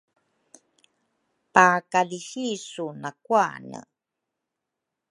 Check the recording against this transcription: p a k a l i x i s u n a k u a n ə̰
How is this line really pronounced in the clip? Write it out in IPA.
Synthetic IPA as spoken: p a k a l i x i s u n a k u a n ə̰